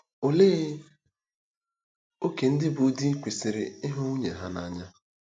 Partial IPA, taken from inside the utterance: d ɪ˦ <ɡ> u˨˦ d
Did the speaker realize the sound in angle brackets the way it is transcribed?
no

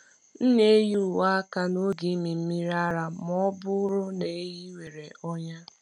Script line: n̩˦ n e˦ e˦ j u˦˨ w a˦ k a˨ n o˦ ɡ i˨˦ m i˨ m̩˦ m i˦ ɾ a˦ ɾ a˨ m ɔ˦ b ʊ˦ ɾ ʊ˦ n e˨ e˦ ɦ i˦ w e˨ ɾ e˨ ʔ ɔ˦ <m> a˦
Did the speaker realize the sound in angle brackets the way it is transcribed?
no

